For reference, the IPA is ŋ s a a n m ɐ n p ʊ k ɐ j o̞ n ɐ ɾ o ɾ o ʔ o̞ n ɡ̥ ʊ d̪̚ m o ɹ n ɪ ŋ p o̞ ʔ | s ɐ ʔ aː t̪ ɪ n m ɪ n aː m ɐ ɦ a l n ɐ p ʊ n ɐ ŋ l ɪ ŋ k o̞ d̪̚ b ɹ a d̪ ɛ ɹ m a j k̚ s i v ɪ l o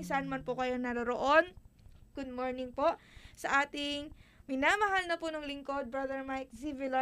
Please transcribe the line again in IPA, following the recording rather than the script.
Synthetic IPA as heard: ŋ s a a n m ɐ n p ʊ k ɐ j o̞ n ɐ ɾ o ɾ o ʔ o̞ n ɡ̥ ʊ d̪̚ m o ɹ n ɪ ŋ p o̞ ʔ | s ɐ ʔ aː t̪ ɪ ŋ m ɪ n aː m ɐ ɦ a l n ɐ p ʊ n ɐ ŋ l ɪ ŋ k o̞ d̪̚ b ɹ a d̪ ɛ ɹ m a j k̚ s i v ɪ l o